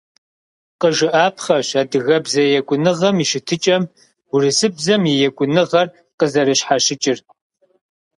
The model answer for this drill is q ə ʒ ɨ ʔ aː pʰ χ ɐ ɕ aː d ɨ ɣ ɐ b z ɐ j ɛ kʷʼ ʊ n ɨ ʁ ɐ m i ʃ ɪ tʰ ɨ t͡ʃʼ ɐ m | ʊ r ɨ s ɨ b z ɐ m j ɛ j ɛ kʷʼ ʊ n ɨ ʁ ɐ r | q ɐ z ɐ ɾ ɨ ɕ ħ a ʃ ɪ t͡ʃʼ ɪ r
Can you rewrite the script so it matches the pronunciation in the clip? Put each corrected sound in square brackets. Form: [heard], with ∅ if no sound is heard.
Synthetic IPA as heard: q ə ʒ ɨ ʔ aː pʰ χ ɐ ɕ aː d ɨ ɣ ɐ b z ɐ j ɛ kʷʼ ʊ n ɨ ʁ ɐ m i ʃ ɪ tʰ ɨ t͡ʃʼ ɐ m | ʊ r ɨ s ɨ b z ɐ m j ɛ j ɛ kʷʼ ʊ n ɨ ʁ ɐ r | q [ə] z ɐ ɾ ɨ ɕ ħ a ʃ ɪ t͡ʃʼ ɪ r